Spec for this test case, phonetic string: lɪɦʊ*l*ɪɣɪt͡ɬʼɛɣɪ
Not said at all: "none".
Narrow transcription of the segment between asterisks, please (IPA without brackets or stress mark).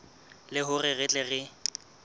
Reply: r